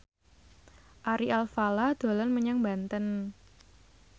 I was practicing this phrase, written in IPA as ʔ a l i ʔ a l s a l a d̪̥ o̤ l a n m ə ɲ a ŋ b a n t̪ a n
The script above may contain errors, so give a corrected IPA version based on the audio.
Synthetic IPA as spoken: ʔ a ɾ i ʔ a l f a l a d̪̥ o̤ l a n m ə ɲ a ŋ b a n t̪ ə n